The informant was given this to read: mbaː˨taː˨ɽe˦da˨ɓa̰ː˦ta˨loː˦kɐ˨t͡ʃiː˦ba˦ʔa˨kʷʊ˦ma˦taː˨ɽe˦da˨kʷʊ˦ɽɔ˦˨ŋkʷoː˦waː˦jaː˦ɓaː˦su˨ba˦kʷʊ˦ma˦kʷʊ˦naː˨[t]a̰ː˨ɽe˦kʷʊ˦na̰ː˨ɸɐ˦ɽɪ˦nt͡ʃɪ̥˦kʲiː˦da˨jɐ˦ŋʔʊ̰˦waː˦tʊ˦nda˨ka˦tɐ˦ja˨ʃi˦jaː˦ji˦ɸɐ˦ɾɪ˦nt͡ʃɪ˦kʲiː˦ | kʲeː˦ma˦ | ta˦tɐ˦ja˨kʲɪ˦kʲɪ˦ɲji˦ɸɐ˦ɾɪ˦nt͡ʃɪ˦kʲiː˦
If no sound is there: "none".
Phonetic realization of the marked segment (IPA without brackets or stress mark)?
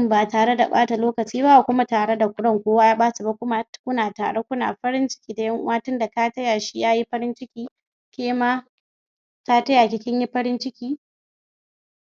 t